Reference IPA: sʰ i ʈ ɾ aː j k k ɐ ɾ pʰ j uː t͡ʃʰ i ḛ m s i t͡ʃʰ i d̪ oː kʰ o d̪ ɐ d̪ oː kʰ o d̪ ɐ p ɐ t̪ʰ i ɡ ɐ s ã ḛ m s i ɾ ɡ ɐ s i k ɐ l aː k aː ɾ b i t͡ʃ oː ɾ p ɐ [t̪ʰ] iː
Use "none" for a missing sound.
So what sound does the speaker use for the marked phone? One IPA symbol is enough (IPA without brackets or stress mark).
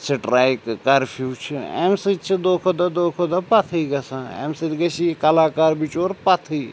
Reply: t̪ʰ